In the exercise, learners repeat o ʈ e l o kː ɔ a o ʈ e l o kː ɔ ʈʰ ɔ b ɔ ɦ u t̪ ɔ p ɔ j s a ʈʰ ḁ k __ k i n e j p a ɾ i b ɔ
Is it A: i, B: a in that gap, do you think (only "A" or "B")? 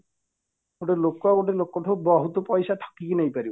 A